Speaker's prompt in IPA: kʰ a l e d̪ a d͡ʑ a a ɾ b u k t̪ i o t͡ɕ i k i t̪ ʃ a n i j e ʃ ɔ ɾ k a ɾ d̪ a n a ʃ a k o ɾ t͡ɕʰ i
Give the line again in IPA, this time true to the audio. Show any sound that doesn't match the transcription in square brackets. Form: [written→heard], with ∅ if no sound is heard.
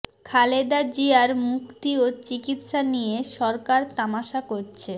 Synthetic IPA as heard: kʰ a l e d̪ a d͡ʑ [a→i] a ɾ [b→m] u k t̪ i o t͡ɕ i k i t̪ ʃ a n i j e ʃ ɔ ɾ k a ɾ [d̪→t̪] a [n→m] a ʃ a k o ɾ t͡ɕʰ [i→e]